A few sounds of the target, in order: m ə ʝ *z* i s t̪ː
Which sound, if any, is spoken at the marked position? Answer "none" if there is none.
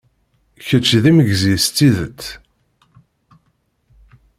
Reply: z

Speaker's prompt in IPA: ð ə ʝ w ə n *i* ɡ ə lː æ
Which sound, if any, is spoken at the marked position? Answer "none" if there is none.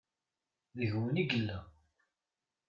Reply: i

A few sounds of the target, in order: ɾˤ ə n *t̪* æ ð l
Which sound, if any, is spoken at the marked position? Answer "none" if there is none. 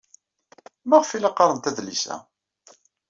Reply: t̪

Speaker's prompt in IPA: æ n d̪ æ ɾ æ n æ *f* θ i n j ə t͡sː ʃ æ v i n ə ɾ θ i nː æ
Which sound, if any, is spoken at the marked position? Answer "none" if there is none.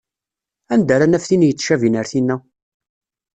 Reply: f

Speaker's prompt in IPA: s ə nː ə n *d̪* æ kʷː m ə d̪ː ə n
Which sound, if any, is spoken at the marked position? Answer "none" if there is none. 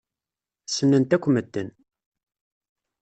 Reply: t̪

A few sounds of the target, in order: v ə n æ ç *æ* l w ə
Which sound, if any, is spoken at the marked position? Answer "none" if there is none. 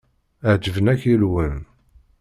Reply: i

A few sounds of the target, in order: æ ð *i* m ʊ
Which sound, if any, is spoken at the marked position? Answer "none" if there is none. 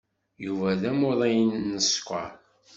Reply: æ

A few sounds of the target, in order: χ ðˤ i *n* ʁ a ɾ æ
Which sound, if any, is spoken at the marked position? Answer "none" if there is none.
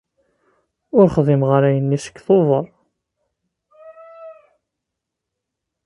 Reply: m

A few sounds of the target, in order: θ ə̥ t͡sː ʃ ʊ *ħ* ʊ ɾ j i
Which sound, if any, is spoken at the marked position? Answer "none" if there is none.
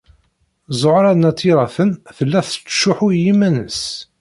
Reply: ħ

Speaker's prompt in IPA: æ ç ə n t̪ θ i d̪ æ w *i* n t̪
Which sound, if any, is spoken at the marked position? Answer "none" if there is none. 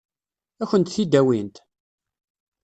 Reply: i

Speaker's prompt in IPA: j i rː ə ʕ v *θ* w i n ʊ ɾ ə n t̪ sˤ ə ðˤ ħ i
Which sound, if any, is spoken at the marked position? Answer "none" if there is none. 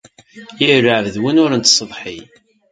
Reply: ð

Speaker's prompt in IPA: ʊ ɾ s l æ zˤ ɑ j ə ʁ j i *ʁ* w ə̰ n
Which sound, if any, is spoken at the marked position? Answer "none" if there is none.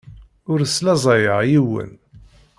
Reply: none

